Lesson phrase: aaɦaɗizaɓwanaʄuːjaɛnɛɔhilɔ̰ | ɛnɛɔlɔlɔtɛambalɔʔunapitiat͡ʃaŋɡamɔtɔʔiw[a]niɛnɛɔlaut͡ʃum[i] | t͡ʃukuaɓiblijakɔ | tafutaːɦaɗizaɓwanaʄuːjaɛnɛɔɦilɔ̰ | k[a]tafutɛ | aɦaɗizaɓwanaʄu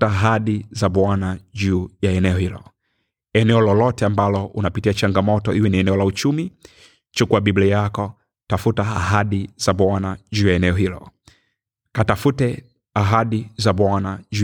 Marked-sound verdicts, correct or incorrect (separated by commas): incorrect, correct, correct